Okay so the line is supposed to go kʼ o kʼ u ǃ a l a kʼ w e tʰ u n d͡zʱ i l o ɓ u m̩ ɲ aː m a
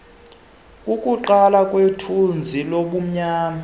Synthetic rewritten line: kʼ u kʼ u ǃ a l a kʼ w e tʰ u n d͡zʱ i l o ɓ u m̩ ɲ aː m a